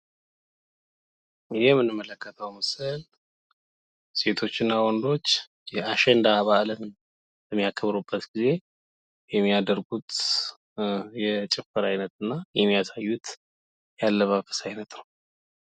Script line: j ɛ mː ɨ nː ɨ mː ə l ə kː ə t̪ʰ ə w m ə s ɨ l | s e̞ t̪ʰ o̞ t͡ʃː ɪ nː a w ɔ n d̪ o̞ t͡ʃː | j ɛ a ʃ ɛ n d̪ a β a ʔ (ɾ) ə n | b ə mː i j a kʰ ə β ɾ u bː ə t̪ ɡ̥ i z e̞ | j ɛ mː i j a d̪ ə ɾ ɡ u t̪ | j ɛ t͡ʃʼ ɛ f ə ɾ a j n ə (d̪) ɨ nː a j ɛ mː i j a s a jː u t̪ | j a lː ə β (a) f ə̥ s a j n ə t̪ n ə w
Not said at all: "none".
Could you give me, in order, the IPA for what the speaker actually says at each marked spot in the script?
l, t̪, a

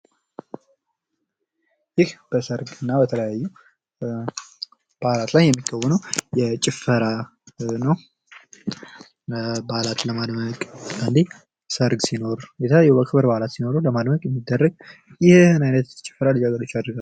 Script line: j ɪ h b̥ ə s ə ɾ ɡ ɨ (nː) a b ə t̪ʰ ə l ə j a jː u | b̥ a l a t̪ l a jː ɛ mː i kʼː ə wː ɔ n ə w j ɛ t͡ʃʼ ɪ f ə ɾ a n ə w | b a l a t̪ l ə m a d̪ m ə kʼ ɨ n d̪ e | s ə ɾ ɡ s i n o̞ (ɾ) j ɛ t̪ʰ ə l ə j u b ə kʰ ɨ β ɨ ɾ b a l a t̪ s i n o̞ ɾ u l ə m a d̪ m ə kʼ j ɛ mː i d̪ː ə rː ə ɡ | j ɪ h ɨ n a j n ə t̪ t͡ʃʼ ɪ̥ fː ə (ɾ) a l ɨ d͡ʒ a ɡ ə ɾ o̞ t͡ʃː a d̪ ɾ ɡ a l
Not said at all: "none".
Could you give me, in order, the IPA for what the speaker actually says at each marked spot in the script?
nː, ɾ, ɾ

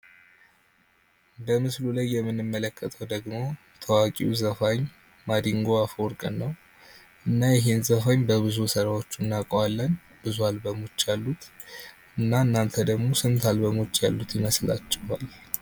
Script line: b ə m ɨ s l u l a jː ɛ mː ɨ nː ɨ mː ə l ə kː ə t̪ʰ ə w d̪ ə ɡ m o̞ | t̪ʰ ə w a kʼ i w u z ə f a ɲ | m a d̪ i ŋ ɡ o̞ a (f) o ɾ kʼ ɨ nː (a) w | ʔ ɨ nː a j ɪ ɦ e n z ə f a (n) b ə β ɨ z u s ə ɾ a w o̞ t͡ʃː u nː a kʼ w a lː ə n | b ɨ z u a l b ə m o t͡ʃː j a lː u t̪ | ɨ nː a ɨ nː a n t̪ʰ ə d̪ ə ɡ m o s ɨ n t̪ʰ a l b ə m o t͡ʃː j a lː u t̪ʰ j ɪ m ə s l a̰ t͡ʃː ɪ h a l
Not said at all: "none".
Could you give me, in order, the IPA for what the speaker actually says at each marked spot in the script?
f, ə, ɲ

